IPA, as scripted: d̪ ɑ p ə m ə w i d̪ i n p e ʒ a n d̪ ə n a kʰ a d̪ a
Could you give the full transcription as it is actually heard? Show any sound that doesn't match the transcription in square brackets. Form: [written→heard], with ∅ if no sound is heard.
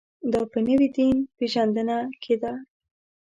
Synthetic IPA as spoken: d̪ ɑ p ə [m→n] ə w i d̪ i n p e ʒ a n d̪ ə n a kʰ [a→e] d̪ a